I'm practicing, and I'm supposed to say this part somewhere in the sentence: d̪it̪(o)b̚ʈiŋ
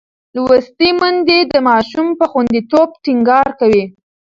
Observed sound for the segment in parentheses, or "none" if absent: o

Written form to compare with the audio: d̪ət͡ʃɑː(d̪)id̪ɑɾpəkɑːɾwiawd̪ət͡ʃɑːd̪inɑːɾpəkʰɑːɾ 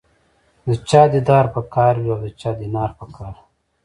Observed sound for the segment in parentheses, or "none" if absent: d̪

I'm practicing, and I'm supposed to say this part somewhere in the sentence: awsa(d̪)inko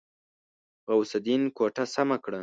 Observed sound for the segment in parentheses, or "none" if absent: d̪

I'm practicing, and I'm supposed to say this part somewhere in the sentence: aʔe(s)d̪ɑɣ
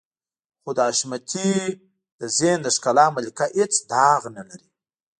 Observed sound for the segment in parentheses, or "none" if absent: t͡s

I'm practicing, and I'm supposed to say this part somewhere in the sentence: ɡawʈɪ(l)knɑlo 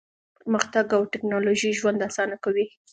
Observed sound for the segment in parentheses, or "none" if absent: none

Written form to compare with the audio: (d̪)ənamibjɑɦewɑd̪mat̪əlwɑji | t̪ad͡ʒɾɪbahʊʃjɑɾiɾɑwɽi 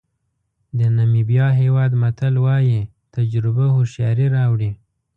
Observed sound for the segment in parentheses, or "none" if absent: d̪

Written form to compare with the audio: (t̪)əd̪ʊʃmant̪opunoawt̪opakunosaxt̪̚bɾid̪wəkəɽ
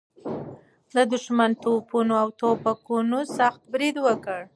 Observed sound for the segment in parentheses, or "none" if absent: d̪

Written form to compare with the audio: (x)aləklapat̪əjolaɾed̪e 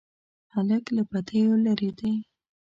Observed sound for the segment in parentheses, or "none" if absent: h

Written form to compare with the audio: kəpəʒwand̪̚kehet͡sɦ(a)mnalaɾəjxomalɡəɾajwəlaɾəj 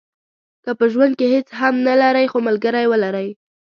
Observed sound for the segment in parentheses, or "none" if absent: a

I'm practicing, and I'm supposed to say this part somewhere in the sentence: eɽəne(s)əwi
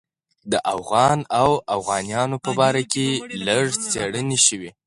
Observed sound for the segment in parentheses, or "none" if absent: ʃ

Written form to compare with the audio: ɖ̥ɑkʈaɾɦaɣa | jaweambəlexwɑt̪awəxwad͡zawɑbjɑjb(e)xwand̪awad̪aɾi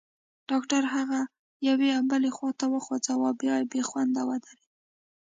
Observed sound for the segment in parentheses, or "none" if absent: e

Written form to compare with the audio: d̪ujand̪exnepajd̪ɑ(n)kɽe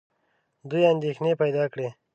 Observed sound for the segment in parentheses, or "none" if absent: none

